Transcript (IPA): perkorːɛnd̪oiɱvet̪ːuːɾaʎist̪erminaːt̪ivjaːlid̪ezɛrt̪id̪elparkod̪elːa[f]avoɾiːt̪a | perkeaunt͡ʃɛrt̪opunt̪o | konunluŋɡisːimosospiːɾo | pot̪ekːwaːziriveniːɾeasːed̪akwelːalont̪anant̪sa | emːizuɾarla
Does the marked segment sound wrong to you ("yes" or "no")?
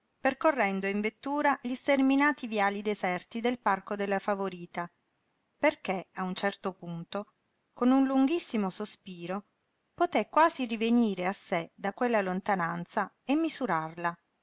no